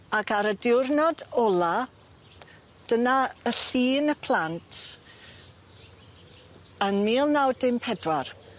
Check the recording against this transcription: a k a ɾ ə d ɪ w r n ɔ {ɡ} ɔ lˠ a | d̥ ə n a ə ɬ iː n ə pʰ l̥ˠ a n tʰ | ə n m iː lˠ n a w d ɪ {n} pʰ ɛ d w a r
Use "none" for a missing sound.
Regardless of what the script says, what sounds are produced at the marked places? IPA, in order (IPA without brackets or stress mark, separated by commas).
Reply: d, m